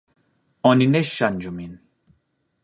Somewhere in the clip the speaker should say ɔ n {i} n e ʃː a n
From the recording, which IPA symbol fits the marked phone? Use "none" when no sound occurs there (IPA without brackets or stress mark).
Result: i